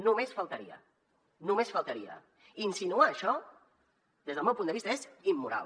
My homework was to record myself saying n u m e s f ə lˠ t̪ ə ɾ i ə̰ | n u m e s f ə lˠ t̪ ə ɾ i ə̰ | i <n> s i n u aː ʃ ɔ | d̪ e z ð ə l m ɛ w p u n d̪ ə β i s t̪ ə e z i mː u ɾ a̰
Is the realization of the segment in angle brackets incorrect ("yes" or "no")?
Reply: no